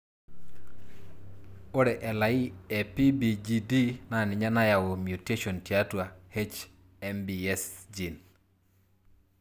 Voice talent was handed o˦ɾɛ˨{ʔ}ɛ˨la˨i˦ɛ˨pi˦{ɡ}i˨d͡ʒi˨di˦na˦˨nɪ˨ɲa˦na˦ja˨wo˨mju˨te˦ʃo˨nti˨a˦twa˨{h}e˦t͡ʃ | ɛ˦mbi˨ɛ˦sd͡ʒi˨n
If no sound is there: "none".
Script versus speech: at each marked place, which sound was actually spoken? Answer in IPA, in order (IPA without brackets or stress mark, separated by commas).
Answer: ʔ, b, h